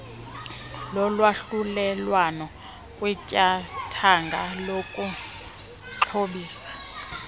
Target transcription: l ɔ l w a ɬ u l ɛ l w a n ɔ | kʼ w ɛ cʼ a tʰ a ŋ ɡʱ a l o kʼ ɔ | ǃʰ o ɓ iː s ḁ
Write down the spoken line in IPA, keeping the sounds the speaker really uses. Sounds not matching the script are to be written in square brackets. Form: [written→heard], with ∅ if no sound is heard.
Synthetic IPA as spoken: l ɔ l w a ɬ u l ɛ l w a n ɔ | kʼ w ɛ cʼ a tʰ a ŋ ɡʱ a l o kʼ [ɔ→u] | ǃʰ o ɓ iː s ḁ